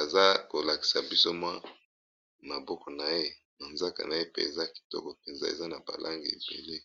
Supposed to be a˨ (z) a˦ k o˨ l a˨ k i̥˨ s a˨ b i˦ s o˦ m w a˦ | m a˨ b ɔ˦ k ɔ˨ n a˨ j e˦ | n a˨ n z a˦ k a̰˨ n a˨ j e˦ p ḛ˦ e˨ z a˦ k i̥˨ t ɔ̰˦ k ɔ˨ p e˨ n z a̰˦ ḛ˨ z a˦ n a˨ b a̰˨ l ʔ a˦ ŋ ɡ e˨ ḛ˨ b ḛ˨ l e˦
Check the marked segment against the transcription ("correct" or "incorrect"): correct